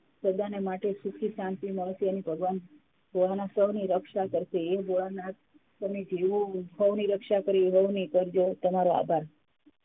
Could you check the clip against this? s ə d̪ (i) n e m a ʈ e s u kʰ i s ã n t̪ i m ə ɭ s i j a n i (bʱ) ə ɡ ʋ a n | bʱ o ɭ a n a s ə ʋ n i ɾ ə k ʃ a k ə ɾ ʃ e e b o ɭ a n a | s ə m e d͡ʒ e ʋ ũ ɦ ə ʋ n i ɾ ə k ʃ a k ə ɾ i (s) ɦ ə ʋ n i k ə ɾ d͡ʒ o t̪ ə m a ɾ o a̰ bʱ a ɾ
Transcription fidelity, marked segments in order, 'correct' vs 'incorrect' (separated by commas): incorrect, correct, incorrect